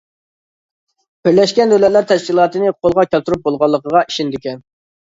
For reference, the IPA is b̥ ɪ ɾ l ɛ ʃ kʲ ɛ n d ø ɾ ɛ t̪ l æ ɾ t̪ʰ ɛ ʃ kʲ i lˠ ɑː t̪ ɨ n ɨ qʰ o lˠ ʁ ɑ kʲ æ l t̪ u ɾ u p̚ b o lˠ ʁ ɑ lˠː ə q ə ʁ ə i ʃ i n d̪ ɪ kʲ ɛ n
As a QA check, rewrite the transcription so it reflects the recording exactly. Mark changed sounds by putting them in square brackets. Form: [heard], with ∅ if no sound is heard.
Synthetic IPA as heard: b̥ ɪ ɾ l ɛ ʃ kʲ ɛ n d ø [l] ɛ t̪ l æ ɾ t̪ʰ ɛ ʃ kʲ i lˠ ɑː t̪ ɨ n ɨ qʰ o lˠ ʁ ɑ kʲ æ l t̪ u ɾ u p̚ b o lˠ ʁ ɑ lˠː ə q ə ʁ [ɑ] i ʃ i n d̪ ɪ kʲ ɛ n